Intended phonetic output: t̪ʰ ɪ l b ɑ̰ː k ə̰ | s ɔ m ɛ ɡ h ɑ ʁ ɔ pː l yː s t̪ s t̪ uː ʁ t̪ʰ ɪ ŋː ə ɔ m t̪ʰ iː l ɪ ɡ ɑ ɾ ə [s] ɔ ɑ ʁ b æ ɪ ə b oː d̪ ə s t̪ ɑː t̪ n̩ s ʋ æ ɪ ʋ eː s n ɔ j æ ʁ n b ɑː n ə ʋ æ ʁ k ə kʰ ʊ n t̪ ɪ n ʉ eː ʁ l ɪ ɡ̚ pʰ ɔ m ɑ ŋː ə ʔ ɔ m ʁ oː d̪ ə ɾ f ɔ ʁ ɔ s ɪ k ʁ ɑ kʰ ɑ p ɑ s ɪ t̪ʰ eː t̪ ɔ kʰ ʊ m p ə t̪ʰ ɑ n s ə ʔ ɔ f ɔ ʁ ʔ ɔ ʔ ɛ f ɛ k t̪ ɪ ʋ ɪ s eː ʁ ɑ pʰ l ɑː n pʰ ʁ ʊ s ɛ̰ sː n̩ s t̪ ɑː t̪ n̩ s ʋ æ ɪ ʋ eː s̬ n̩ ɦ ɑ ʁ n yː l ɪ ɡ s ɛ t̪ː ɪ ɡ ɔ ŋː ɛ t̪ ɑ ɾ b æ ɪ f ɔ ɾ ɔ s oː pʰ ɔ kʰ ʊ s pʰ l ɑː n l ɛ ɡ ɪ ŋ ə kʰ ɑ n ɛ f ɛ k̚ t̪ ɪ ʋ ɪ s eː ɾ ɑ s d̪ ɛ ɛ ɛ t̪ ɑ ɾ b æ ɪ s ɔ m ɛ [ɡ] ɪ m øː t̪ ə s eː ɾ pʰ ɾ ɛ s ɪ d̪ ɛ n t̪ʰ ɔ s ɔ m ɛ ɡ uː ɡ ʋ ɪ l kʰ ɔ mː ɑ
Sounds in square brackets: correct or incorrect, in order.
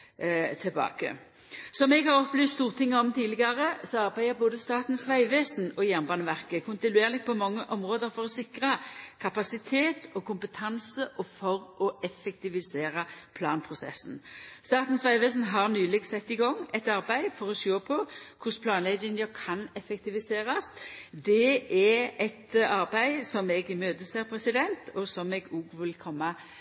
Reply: correct, correct

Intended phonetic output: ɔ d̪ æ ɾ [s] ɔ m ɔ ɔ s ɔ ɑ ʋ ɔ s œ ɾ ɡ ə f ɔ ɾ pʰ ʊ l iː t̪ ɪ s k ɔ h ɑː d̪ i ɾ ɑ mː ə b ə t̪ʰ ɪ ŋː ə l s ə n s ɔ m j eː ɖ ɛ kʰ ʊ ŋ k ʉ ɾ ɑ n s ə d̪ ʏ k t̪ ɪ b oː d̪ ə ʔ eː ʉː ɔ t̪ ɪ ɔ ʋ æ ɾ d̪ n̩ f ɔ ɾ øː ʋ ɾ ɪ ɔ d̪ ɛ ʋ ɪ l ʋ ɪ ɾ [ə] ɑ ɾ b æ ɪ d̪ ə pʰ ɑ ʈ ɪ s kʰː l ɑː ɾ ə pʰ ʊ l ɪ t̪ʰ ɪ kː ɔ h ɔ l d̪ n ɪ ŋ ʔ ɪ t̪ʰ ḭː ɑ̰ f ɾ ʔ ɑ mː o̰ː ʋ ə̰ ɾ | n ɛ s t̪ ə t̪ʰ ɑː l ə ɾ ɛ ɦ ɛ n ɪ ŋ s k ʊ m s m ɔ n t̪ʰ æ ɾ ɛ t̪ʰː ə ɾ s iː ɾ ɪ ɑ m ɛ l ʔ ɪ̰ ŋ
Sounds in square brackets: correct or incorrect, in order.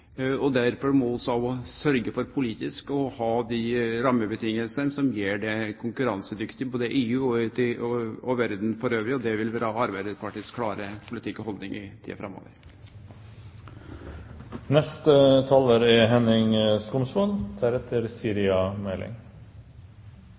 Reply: incorrect: f, incorrect: ɑ

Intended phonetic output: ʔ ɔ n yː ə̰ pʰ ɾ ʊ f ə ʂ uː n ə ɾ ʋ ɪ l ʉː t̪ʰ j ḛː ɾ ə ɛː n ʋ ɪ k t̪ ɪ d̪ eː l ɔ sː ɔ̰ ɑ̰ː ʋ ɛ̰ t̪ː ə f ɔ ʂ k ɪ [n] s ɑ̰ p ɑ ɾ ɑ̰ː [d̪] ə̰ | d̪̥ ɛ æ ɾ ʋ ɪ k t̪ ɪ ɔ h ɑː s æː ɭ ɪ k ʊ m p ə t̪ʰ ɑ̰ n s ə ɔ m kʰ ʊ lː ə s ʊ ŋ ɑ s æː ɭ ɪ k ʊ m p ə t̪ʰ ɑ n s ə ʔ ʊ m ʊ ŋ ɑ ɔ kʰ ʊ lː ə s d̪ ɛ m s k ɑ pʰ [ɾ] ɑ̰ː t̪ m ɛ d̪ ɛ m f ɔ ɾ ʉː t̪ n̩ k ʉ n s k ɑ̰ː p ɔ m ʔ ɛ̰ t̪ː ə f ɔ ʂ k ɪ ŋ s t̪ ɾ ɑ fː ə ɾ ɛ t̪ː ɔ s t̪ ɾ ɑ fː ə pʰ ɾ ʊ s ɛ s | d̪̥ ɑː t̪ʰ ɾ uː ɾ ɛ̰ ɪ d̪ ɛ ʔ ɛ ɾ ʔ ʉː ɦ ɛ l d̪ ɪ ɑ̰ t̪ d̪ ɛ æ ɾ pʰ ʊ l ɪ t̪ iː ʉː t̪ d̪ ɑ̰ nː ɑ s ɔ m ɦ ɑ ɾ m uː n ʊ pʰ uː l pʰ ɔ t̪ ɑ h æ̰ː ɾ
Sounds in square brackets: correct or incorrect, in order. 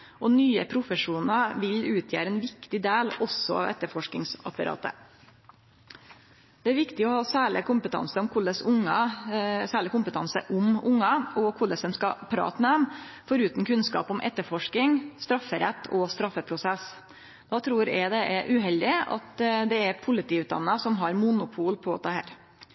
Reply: incorrect: ŋ, incorrect: t̪, correct

